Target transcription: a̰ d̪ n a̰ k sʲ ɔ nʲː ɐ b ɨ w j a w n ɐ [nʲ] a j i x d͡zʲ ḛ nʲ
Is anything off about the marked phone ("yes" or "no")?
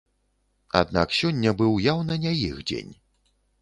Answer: no